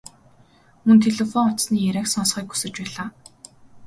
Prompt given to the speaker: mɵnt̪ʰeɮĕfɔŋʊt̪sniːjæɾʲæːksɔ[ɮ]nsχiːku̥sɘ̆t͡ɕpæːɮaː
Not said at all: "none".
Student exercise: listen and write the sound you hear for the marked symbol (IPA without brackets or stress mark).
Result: none